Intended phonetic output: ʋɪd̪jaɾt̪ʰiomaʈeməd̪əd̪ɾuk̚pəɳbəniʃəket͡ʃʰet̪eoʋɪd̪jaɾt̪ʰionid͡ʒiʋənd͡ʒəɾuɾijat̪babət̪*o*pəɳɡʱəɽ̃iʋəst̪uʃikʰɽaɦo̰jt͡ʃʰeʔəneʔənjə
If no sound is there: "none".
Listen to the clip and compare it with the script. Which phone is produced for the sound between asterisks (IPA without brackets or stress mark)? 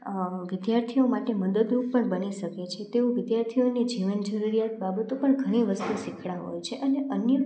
o